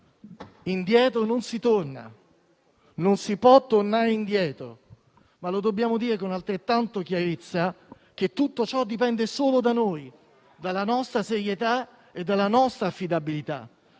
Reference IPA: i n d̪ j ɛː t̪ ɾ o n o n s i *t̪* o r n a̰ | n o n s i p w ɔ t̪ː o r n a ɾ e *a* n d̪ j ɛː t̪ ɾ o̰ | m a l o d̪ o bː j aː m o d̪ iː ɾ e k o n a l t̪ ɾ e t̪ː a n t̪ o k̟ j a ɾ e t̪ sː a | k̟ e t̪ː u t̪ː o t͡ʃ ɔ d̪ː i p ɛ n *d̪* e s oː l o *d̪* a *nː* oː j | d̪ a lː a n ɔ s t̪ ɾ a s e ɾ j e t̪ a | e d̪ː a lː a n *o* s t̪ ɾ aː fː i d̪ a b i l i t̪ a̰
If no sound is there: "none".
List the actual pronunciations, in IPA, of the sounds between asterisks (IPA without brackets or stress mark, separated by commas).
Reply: t̪, i, d̪, d̪, n, ɔ